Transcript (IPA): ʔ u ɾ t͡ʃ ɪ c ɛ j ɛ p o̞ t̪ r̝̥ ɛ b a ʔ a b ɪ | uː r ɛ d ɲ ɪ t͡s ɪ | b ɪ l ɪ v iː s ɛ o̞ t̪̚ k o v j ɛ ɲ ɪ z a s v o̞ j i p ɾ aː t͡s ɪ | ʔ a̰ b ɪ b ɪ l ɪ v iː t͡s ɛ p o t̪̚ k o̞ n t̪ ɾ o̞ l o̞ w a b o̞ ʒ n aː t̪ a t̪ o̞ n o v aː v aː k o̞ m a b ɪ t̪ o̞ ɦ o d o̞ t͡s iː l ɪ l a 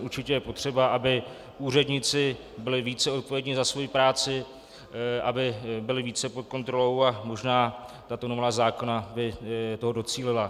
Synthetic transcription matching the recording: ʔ u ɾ t͡ʃ ɪ c ɛ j ɛ p o̞ t̪ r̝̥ ɛ b a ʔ a b ɪ | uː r ɛ d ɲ ɪ t͡s ɪ | b ɪ l ɪ v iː t͡s ɛ o̞ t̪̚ p o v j ɛ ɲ ɪ z a s v o̞ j i p ɾ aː t͡s ɪ | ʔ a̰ b ɪ b ɪ l ɪ v iː t͡s ɛ p o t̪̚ k o̞ n t̪ ɾ o̞ l o̞ w a m o̞ ʒ n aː t̪ a t̪ o̞ n o v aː z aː k o̞ n a b ɪ t̪ o̞ ɦ o d o̞ t͡s iː l ɪ l a